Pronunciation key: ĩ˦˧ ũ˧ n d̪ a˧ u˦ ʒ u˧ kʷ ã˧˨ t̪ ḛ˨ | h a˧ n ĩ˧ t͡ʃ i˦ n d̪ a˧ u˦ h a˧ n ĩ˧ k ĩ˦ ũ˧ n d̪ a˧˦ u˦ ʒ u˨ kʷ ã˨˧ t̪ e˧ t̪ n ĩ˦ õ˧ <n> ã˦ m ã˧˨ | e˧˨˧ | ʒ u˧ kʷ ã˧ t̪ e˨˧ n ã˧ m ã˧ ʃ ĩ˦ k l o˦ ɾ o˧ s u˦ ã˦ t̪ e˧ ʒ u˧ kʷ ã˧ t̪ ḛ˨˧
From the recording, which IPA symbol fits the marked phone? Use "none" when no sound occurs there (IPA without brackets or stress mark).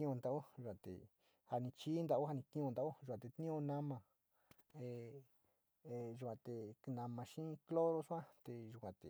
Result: n